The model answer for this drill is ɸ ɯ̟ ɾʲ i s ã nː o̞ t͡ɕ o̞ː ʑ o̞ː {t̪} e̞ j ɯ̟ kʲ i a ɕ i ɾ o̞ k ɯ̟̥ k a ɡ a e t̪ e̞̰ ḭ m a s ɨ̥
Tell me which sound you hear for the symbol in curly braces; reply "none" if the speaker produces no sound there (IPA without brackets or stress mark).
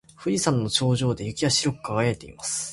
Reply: d̪